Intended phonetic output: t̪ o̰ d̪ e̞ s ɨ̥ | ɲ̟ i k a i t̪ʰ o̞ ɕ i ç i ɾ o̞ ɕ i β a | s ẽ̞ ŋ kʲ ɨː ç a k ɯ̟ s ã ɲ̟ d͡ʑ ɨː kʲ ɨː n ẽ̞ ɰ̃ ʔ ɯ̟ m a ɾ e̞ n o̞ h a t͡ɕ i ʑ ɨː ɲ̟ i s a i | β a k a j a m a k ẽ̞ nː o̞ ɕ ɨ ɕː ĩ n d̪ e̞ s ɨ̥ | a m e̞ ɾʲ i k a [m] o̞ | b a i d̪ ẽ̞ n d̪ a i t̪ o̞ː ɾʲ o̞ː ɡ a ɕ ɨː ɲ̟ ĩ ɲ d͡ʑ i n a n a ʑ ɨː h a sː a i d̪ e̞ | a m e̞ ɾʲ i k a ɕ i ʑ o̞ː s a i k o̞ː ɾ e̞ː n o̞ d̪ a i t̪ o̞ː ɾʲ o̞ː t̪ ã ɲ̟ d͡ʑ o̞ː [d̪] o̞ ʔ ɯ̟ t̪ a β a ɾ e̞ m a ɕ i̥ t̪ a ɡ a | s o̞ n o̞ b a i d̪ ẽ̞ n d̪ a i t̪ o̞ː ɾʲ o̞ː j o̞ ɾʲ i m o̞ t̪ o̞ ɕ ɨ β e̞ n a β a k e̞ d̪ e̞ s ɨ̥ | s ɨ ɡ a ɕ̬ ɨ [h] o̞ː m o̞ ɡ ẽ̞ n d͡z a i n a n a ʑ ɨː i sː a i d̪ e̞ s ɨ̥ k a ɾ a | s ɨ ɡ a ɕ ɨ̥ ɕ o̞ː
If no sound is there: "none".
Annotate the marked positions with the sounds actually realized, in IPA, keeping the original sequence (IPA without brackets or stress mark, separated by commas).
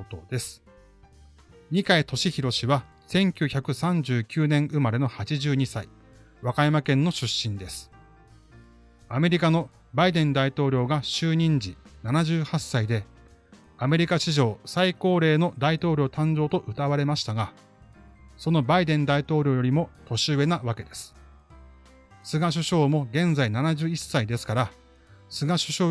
n, t̪, ɕ